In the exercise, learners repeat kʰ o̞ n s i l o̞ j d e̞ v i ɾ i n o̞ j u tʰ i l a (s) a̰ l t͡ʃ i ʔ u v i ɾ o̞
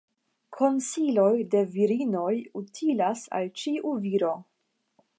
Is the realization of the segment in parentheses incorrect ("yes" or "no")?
no